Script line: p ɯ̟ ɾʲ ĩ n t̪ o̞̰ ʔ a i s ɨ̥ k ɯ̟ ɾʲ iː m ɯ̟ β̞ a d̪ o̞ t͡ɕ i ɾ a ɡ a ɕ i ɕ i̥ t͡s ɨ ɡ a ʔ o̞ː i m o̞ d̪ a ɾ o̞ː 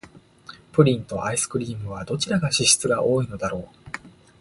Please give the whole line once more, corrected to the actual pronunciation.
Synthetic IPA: p ɯ̟ ɾʲ ĩ n t̪ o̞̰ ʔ a i s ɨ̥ k ɯ̟ ɾʲ iː m ɯ̟ β̞ a d̪ o̞ t͡ɕ i ɾ a ɡ a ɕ i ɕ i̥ t͡s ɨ ɡ a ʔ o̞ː i n o̞ d̪ a ɾ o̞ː